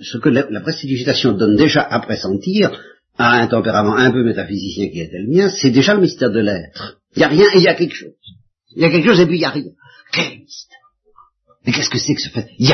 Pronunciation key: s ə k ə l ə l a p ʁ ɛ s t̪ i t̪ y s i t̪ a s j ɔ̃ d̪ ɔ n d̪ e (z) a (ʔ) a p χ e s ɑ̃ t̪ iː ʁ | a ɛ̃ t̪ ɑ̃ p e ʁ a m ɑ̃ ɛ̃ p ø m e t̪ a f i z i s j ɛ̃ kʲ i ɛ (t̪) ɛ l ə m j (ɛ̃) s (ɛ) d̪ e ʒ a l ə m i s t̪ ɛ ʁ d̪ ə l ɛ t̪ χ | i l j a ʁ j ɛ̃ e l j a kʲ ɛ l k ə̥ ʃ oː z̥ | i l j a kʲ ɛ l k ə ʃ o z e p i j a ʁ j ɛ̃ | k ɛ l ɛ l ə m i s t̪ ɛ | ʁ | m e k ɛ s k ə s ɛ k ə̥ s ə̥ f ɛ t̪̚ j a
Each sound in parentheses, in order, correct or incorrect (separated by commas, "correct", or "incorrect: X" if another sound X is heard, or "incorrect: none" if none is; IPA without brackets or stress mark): incorrect: ʒ, correct, correct, correct, correct